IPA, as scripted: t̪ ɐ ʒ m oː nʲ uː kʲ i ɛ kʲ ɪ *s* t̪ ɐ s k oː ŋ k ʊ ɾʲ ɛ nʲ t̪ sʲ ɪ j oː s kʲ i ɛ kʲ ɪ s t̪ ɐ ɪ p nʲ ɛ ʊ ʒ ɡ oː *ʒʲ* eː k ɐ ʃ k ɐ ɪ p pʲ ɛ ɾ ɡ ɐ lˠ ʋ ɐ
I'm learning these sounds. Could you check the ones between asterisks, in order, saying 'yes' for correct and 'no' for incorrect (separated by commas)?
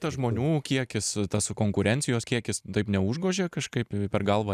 yes, yes